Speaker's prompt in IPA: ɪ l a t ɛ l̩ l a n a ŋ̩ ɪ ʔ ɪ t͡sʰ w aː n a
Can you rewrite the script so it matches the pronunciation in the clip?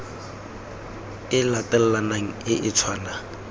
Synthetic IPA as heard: ɪ l a t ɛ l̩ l a n a ŋ̩ ɪ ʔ ɪ t͡sʰ w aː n a